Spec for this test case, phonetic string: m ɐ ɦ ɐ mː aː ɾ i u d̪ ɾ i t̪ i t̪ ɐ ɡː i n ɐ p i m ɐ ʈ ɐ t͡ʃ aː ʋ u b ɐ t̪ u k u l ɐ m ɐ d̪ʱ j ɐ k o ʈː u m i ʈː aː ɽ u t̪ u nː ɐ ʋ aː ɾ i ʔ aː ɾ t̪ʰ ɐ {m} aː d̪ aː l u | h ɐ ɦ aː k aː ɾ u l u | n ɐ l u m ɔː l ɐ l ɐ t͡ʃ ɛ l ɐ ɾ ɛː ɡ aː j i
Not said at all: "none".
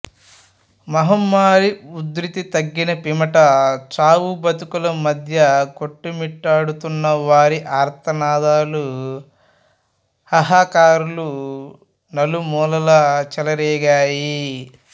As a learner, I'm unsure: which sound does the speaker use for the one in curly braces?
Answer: n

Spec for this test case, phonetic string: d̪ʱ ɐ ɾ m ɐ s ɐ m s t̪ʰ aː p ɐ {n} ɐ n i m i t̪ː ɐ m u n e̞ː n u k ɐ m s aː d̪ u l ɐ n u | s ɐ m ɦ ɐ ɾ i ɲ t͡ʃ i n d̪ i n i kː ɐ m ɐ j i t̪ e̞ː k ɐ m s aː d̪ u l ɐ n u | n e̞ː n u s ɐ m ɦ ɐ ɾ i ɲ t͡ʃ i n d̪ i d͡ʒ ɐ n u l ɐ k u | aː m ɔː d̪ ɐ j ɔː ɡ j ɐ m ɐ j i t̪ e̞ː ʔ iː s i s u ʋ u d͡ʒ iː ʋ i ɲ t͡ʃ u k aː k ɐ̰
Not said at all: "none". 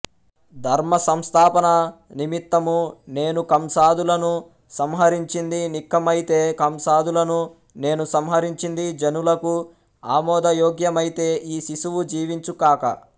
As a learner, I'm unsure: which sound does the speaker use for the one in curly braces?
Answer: n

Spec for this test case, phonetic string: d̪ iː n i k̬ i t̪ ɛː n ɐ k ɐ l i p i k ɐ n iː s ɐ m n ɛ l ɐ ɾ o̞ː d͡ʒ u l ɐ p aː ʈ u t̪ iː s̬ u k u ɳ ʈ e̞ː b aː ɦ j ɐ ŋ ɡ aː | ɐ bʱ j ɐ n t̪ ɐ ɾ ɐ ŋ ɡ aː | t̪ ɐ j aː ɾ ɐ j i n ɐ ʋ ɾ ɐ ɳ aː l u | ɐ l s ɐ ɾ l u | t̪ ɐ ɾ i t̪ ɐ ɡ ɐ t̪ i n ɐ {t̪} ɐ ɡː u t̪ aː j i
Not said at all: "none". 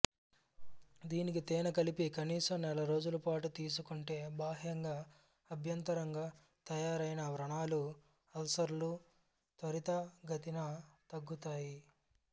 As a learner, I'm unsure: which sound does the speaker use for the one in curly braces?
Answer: t̪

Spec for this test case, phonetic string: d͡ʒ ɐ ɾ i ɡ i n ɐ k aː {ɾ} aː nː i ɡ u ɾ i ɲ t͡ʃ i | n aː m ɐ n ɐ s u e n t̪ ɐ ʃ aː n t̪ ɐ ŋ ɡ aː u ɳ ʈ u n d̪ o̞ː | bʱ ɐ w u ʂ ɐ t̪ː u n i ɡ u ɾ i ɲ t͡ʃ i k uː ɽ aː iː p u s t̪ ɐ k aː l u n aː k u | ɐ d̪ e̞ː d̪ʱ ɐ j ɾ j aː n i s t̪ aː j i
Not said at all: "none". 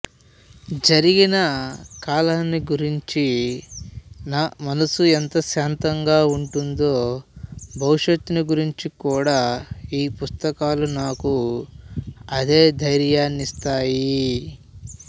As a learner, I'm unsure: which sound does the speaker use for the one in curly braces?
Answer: l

